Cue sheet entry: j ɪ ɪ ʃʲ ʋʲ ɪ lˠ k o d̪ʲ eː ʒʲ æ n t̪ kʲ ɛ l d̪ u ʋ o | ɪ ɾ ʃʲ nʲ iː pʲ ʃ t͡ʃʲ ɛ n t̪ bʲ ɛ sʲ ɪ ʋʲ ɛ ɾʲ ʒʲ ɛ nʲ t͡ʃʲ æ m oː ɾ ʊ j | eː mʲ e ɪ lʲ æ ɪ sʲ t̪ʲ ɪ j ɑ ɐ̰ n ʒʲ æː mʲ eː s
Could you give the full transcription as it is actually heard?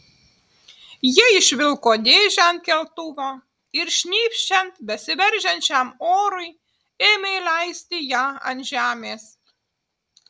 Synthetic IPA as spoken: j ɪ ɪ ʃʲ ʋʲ ɪ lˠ k o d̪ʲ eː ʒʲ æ n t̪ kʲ ɛ l t̪ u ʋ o | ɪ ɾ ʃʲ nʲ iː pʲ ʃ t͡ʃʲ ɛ n t̪ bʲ ɛ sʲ ɪ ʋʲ ɛ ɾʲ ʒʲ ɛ nʲ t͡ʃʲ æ m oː ɾ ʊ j | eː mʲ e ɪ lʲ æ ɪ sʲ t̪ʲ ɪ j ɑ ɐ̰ n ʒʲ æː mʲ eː s